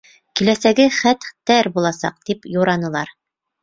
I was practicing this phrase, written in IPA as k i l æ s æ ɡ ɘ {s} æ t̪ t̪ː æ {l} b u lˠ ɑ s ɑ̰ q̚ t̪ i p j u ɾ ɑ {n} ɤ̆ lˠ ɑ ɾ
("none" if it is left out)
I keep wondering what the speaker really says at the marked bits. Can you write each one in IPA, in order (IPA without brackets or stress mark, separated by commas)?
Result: χ, ɾ, n